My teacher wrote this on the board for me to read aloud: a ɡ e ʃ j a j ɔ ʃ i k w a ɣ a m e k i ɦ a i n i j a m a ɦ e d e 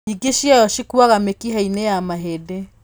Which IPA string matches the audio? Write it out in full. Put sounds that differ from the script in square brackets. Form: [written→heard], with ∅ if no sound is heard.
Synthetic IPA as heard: [a→i] ɡ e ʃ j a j ɔ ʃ i k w a ɣ a m e k i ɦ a i n [i→e] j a m a ɦ e d e